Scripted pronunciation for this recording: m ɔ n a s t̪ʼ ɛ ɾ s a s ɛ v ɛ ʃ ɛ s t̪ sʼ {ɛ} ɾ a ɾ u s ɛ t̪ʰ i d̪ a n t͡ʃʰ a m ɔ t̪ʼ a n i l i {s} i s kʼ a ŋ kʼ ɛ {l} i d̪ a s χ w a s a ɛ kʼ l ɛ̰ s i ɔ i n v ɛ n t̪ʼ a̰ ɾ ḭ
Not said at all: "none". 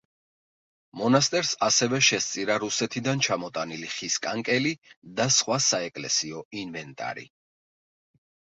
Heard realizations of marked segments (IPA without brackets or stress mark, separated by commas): i, χ, l